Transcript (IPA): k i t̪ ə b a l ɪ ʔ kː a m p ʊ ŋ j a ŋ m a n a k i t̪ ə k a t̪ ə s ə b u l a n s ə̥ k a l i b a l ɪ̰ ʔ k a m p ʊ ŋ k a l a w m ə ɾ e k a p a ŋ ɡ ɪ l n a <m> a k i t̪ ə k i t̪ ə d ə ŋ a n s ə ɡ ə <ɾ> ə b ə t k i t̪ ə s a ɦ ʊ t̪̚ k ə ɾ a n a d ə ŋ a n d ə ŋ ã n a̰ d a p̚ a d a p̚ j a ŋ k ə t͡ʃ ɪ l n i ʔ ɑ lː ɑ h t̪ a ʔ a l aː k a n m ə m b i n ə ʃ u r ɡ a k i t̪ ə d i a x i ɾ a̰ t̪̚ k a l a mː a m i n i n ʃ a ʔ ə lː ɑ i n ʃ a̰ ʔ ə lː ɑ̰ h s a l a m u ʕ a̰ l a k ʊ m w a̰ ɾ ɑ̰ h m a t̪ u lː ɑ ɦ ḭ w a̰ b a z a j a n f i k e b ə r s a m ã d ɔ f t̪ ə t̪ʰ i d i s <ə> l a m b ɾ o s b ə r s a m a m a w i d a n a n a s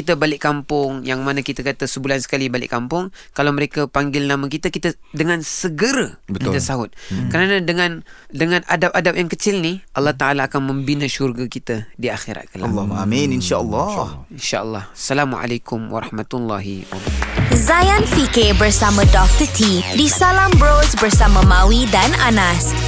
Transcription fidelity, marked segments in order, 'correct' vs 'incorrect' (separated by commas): correct, correct, incorrect